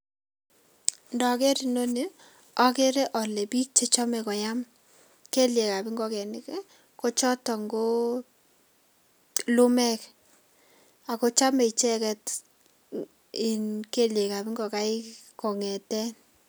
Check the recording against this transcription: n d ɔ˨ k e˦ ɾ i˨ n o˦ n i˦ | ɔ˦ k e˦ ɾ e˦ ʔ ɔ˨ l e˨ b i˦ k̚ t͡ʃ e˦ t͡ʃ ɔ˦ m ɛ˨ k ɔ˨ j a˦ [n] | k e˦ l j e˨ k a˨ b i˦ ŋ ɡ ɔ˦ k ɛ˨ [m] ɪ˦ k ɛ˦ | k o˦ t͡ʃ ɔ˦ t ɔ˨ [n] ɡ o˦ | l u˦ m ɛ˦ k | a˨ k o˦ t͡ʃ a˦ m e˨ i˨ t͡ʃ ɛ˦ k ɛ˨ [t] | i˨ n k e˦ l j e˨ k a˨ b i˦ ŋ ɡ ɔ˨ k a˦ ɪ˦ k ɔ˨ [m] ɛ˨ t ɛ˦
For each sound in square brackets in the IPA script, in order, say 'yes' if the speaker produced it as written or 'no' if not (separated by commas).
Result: no, no, no, yes, no